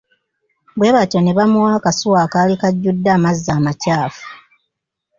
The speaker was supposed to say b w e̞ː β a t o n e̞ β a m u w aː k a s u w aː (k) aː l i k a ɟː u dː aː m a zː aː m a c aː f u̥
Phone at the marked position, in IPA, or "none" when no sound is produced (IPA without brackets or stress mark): k